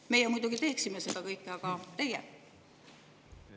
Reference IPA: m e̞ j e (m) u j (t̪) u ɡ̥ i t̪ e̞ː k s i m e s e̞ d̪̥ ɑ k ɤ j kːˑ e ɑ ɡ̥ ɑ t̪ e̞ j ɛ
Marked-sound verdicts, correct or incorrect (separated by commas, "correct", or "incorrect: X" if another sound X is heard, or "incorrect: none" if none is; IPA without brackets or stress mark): correct, incorrect: d̪